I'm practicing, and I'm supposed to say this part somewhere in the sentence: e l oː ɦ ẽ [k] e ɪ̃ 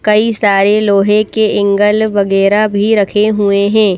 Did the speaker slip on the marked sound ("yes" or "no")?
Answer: no